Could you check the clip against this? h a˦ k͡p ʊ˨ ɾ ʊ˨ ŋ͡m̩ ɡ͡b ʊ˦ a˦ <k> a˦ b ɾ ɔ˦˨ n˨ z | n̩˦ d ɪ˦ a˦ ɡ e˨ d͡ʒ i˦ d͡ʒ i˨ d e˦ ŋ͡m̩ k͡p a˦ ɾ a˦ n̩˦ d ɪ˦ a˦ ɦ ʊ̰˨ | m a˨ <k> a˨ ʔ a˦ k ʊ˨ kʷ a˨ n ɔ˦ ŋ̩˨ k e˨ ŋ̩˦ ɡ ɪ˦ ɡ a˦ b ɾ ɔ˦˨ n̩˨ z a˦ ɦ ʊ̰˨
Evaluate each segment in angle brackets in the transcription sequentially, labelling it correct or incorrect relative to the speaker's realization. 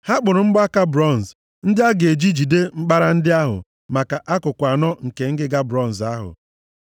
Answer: correct, correct

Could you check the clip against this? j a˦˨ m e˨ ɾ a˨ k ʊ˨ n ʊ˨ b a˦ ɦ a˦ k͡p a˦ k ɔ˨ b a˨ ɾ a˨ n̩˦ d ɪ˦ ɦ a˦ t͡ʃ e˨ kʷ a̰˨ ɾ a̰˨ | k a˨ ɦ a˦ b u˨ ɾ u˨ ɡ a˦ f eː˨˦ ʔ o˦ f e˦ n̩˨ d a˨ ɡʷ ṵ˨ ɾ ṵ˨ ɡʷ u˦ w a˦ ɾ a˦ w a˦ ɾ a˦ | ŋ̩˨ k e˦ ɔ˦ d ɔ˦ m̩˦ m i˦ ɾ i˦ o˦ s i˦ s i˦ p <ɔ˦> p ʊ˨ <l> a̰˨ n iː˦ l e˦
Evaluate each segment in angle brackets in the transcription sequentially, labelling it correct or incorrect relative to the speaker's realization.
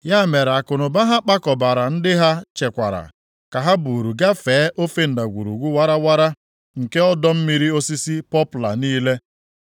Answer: correct, correct

